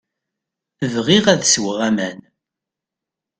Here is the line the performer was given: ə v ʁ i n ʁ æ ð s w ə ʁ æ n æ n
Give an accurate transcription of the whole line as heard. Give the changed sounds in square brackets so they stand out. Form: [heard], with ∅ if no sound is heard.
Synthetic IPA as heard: ə v ʁ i [∅] ʁ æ ð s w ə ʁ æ [m] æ n